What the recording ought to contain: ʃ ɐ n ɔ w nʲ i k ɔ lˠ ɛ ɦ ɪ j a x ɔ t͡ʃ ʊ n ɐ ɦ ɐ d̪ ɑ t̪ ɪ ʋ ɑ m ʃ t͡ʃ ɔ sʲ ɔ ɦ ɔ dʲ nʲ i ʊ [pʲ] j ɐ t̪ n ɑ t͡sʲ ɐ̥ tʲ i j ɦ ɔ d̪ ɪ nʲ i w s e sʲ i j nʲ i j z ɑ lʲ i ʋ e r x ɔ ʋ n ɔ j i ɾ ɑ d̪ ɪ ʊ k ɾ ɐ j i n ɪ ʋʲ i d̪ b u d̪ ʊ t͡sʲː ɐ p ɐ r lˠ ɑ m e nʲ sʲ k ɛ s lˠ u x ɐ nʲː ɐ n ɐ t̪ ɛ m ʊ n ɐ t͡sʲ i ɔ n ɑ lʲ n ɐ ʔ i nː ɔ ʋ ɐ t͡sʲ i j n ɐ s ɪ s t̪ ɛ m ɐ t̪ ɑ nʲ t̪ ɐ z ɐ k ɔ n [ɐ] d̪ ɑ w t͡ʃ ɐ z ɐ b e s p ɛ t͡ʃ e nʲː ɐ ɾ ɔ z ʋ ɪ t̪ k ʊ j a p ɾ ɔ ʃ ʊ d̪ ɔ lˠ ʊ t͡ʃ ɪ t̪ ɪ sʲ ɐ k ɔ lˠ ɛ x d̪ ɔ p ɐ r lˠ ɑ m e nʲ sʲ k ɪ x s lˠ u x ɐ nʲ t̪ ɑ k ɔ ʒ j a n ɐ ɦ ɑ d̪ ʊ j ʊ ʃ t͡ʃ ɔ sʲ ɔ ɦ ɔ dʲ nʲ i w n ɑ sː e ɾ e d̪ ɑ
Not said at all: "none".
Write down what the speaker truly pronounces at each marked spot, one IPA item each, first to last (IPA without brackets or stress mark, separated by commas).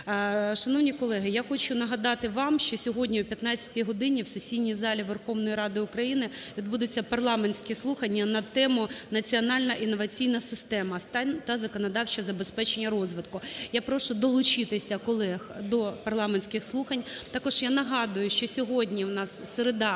pʲ, ɐ